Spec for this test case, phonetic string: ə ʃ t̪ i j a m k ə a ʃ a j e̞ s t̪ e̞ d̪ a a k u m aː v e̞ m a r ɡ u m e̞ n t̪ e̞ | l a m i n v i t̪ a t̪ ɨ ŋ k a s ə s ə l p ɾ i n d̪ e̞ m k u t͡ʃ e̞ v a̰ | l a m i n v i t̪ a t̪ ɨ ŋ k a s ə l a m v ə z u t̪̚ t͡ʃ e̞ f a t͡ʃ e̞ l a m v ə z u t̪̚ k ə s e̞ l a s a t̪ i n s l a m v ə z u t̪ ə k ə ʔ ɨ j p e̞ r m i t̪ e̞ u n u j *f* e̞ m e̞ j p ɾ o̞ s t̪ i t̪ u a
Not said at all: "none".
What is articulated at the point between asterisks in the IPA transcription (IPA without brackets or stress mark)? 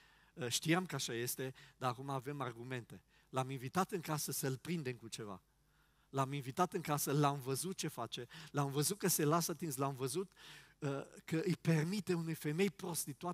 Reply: f